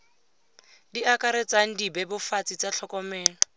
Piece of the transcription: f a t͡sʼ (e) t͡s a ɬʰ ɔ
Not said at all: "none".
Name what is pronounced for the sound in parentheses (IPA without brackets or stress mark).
i